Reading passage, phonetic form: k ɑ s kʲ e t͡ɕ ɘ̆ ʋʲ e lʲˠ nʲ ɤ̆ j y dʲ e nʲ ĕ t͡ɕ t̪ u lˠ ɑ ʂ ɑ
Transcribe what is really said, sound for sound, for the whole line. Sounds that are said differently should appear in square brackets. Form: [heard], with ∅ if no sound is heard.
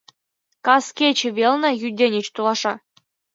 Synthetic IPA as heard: k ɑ s kʲ e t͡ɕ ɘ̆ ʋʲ e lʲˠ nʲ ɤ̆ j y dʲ e nʲ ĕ t͡ɕ t̪ u lˠ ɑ ʂ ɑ

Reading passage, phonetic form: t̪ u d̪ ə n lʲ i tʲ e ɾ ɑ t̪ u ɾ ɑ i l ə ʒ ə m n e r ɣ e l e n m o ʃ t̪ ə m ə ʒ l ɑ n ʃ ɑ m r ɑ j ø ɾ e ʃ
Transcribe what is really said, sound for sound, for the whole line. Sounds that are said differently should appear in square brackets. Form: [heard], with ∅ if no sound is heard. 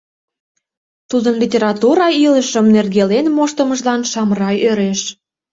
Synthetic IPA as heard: t̪ u d̪ ə n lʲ i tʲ e ɾ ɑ t̪ u ɾ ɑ i l ə [ʃ] ə m n e r ɣ e l e n m o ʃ t̪ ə m ə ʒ l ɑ n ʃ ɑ m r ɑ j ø ɾ e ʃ

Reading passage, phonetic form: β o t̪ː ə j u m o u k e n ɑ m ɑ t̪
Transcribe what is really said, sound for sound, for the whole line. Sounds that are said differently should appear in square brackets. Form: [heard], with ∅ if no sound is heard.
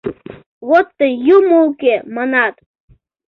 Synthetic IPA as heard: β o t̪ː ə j u m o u k e [m] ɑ [n] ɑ t̪

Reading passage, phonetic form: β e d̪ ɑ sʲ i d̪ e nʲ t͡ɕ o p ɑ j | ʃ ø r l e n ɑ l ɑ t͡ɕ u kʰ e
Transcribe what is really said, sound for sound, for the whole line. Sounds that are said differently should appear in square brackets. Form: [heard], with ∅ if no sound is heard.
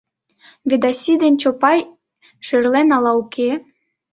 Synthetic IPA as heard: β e d̪ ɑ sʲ i d̪ e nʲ t͡ɕ o p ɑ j | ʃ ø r l e n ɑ l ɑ [∅] u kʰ e

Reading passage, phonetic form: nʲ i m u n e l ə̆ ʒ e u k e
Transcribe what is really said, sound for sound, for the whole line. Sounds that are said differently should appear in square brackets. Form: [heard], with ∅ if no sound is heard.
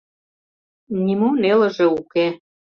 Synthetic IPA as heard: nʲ i m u n e l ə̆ ʒ e u k e

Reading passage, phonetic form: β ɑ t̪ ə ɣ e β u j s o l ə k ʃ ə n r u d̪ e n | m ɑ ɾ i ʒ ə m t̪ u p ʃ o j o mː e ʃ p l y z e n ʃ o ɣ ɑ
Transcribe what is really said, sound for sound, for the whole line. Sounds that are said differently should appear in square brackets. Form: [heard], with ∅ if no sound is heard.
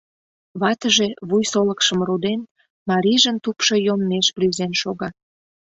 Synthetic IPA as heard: β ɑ t̪ ə [ʒ] e β u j s o l ə k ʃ ə [m] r u d̪ e n | m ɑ ɾ i ʒ ə [n] t̪ u p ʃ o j o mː e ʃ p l y z e n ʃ o ɣ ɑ

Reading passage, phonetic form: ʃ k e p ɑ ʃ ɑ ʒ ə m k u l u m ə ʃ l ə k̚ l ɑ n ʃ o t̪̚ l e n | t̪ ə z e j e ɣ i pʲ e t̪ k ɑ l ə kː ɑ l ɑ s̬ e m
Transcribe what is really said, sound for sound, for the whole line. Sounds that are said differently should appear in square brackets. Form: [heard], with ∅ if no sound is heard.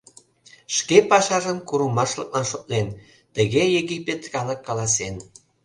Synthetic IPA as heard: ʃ k e p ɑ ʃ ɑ ʒ ə m k u [ɾ] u m [ɑ] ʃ l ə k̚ l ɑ n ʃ o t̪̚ l e n | t̪ ə [ɣ] e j e ɣ i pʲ e t̪ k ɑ l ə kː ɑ l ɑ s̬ e [n]

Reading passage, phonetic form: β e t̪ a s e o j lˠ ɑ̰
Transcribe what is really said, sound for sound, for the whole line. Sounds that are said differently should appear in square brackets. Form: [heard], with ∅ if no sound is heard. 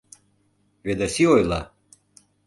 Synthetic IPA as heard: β e [d̪] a s [i] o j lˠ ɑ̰

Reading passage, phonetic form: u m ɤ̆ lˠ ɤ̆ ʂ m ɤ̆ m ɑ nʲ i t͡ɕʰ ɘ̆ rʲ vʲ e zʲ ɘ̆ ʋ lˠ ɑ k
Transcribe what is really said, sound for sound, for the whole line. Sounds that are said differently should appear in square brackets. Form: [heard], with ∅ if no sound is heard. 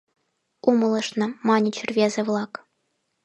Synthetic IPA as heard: u m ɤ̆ lˠ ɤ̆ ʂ [n] ɤ̆ m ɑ nʲ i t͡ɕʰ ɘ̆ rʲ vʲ e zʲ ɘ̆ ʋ lˠ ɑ k

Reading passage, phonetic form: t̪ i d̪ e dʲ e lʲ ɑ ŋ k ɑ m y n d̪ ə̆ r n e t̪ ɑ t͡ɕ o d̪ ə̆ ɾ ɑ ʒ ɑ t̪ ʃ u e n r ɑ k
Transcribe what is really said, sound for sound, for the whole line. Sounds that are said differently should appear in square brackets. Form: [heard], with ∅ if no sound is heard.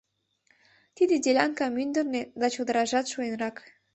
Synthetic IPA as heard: t̪ i d̪ e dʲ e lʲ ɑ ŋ k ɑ m y n d̪ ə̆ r n e [d̪] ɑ t͡ɕ o d̪ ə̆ ɾ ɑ ʒ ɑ t̪ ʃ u e n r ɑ k

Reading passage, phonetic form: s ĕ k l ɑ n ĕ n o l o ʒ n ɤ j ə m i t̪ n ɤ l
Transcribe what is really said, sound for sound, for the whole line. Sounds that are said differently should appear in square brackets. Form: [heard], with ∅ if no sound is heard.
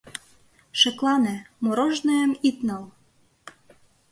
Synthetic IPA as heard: [ʃ] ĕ k l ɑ n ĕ [m] o [ɾ] o ʒ n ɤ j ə m i t̪ n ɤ l

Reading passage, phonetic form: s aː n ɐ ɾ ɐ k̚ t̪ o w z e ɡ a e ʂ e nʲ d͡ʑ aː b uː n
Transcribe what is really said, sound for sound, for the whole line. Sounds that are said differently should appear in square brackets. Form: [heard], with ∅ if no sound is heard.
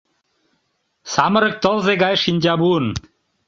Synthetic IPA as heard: s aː [m] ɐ ɾ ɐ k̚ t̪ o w z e ɡ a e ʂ [i] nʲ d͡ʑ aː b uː n

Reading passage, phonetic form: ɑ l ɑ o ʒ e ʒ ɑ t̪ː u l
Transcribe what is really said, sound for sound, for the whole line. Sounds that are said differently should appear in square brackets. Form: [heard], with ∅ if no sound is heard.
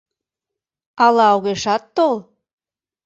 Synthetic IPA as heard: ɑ l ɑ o [ɣ] e [ʃ] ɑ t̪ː [o] l

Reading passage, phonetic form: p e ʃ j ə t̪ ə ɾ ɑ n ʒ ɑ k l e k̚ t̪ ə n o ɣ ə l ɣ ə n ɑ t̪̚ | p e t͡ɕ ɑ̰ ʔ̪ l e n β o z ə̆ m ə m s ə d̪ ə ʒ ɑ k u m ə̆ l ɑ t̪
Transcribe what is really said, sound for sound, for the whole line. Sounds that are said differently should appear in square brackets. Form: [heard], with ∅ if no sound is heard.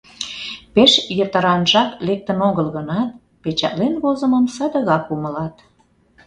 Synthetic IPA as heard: p e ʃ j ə t̪ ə ɾ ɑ n ʒ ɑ k l e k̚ t̪ ə n o ɣ ə l ɣ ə n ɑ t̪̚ | p e t͡ɕ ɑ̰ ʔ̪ l e n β o z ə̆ m ə m s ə d̪ ə [ɣ] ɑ k u m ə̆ l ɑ t̪

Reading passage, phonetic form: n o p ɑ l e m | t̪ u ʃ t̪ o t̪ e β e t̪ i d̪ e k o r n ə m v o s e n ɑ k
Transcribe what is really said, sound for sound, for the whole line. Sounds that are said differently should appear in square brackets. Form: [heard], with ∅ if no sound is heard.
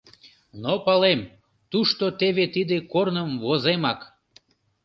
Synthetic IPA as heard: n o p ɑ l e m | t̪ u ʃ t̪ o t̪ e β e t̪ i d̪ e k o r n ə m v o [z] e [m] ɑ k

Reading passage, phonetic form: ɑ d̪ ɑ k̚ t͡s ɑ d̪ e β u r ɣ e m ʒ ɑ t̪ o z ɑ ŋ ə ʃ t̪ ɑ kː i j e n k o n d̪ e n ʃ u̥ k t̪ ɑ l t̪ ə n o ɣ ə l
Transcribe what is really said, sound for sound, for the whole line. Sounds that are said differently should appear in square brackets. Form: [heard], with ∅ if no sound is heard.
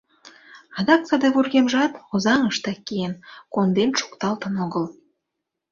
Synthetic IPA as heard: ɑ d̪ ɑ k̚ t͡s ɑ d̪ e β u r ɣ e m ʒ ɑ t̪ o z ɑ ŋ ə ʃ t̪ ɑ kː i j e n k o n d̪ e n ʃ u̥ k t̪ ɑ l t̪ ə n o ɣ ə l

